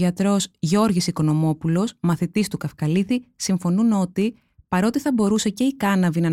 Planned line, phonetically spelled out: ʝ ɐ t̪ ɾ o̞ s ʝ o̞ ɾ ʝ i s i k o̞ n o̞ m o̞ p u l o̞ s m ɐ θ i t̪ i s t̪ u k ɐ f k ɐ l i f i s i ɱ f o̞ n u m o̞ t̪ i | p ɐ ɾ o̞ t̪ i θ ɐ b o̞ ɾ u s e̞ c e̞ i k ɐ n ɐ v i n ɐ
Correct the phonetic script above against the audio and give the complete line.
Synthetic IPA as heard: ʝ ɐ t̪ ɾ o̞ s ʝ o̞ ɾ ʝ i s i k o̞ n o̞ m o̞ p u l o̞ s m ɐ θ i t̪ i s t̪ u k ɐ f k ɐ l i θ i s i ɱ f o̞ n u n o̞ t̪ i | p ɐ ɾ o̞ t̪ i θ ɐ b o̞ ɾ u s e̞ c e̞ i k ɐ n ɐ v i n ɐ